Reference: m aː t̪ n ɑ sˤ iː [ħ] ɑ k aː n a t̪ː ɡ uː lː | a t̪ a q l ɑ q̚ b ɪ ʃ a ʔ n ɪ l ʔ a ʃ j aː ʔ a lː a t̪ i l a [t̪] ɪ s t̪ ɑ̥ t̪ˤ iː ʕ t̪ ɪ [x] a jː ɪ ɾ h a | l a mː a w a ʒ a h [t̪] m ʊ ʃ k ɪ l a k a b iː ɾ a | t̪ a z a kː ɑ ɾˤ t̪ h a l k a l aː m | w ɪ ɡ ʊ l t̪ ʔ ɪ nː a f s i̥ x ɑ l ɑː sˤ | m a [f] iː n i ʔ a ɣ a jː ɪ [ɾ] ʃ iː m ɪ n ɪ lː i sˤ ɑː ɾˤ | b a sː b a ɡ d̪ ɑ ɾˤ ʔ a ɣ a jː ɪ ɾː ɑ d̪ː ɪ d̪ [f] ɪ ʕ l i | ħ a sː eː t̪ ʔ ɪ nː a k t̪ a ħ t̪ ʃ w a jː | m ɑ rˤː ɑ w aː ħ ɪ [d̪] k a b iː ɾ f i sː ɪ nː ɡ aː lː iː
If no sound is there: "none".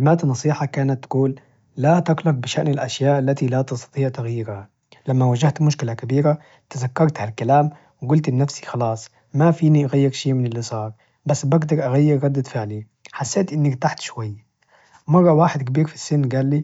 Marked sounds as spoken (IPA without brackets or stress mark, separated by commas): ħ, t̪, ɣ, t̪, f, ɾ, f, d̪